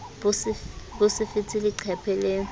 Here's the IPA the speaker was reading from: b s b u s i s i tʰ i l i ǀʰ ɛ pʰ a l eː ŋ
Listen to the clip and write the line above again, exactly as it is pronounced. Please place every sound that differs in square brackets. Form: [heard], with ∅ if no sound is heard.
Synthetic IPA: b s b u s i [f] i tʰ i l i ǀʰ ɛ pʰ [ɛ] l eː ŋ